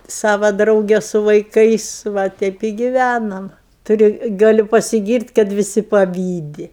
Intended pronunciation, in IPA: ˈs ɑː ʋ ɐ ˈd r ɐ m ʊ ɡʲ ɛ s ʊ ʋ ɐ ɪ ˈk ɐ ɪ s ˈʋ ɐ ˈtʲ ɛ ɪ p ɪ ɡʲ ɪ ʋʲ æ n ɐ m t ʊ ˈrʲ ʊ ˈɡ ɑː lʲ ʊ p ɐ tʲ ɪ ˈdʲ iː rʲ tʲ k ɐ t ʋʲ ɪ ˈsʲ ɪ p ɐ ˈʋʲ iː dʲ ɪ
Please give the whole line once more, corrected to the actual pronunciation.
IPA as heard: ˈs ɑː ʋ ɐ ˈd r ɐ ʊ ɡʲ ɛ s ʊ ʋ ɐ ɪ ˈk ɐ ɪ s ˈʋ ɐ ˈtʲ ɛ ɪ p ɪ ɡʲ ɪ ʋʲ æ n ɐ m t ʊ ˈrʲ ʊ ˈɡ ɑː lʲ ʊ p ɐ sʲ ɪ ˈɡʲ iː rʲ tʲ k ɐ t ʋʲ ɪ ˈsʲ ɪ p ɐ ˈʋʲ iː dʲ ɪ